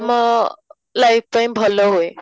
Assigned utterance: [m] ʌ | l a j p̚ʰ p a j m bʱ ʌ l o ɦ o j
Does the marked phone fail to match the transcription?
no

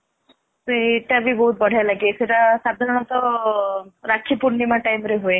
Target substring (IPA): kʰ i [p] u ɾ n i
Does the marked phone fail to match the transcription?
no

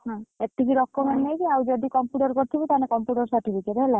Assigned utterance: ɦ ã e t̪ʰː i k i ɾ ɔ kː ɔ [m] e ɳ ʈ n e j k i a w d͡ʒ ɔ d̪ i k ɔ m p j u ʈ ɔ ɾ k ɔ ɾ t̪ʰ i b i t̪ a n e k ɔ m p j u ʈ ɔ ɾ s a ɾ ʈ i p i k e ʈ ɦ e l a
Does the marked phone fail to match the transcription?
no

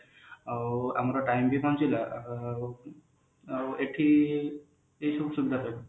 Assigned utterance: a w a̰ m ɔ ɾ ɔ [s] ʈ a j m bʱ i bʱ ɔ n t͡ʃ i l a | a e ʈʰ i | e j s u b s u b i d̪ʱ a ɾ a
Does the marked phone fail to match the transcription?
yes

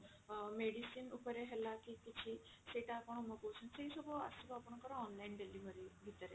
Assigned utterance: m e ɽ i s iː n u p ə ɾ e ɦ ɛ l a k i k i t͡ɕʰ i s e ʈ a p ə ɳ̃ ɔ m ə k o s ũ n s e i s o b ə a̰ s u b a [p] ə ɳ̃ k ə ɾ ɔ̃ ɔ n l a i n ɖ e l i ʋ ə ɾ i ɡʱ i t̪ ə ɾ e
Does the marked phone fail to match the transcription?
no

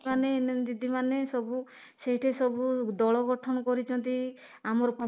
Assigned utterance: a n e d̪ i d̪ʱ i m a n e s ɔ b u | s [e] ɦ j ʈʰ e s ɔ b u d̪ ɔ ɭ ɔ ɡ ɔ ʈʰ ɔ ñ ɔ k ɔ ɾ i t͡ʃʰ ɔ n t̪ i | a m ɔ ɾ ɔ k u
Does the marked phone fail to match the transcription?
no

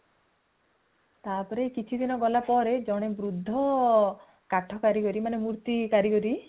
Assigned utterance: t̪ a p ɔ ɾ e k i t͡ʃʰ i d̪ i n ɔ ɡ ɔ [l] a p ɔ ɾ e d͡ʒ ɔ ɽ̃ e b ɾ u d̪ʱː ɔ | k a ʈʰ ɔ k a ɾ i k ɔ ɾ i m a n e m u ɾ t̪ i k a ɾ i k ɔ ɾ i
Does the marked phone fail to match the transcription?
no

